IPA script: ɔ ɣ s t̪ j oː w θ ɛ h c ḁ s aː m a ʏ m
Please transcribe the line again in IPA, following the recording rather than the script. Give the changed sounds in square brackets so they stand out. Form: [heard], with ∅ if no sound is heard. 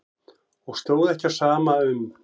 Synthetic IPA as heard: ɔ ɣ s t̪ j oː w [ð] ɛ h c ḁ s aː m a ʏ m